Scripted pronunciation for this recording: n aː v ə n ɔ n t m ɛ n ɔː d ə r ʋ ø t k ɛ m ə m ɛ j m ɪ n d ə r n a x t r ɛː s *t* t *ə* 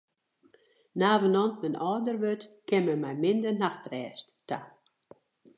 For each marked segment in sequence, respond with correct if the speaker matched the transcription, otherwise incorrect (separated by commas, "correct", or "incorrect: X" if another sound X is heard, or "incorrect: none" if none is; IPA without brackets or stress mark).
correct, incorrect: a